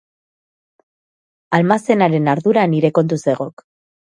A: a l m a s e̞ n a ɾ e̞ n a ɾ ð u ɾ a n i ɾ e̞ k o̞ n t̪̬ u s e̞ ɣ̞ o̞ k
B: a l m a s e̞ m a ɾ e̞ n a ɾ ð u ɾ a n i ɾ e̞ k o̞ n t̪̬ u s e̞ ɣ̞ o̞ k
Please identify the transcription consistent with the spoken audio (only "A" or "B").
A